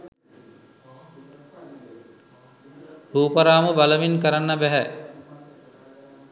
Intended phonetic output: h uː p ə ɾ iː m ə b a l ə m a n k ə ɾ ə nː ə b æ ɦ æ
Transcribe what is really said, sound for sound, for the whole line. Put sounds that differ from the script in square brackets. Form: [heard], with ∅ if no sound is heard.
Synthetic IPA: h uː p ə ɾ [aː] m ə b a l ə m [i] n k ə ɾ [a] nː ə b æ ɦ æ